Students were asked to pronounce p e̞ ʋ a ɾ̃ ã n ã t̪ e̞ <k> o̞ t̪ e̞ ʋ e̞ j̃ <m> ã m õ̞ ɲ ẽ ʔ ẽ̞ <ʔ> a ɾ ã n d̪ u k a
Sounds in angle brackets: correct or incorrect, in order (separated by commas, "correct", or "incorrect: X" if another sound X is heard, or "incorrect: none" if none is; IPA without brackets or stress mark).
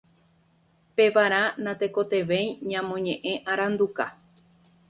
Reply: correct, incorrect: ɲ, correct